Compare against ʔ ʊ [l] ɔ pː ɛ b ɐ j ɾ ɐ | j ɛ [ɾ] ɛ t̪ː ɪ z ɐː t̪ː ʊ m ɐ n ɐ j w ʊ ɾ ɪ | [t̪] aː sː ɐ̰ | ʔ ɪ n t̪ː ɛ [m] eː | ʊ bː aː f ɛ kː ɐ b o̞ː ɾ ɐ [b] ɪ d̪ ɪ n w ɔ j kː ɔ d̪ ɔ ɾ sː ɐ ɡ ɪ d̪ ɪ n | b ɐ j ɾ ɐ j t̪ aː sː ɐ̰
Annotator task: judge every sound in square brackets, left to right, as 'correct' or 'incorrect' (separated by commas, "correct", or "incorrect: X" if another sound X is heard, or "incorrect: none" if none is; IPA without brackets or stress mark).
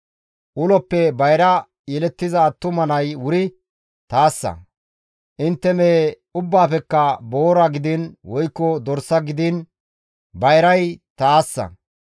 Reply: correct, incorrect: l, correct, correct, incorrect: ɡ